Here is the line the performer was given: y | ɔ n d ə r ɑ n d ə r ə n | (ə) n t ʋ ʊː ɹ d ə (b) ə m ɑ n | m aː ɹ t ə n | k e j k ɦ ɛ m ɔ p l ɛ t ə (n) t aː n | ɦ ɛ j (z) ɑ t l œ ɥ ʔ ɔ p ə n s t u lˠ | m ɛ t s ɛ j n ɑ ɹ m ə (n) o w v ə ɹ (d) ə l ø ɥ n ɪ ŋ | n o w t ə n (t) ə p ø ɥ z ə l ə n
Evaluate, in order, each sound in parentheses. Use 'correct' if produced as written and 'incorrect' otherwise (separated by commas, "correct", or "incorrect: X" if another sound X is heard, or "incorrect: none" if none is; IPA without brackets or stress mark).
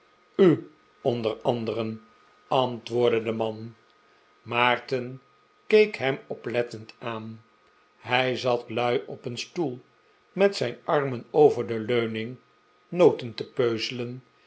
incorrect: ɑ, incorrect: d, correct, correct, correct, correct, correct